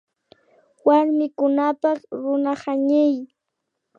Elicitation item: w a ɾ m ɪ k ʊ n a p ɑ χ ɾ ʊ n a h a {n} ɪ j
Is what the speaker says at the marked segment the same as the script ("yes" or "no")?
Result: no